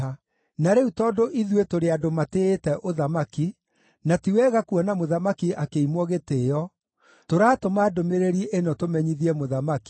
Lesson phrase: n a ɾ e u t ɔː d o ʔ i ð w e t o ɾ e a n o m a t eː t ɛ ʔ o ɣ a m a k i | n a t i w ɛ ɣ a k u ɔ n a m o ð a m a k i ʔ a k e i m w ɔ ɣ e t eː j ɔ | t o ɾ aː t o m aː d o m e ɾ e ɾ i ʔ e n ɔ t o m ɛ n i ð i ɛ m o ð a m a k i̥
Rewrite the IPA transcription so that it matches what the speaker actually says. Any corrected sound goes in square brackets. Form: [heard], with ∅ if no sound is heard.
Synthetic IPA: n a ɾ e u t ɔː d o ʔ i ð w e t o ɾ e a [d] o m a t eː t ɛ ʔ o [ð] a m a k i | n a t i w ɛ ɣ a k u ɔ n a m o ð a m a k i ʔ a k e i m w ɔ ɣ e t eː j ɔ | t o ɾ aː t o m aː d o m e ɾ e ɾ i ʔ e n ɔ t o m ɛ [ɲ] i ð i ɛ m o ð a m a k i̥